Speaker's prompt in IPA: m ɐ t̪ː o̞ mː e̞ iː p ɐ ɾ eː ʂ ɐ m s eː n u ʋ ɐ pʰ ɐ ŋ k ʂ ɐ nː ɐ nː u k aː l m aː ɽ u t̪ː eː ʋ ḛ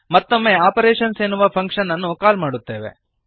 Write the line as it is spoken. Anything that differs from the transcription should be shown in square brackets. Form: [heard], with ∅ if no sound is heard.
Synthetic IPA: m ɐ t̪ː o̞ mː e̞ [aː] p ɐ ɾ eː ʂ ɐ [n] s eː n u ʋ ɐ pʰ ɐ ŋ k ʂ ɐ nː ɐ nː u k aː l m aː ɽ u t̪ː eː ʋ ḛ